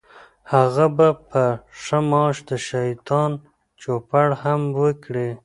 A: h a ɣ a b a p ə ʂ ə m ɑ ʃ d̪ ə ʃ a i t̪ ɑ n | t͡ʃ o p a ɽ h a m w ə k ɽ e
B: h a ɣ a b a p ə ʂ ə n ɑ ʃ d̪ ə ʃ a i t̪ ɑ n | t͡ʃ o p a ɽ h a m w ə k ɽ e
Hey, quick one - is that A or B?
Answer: A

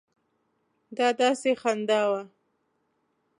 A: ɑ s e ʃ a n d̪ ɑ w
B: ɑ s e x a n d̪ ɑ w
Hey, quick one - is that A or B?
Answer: B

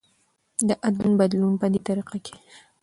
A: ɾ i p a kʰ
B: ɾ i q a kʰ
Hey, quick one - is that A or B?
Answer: B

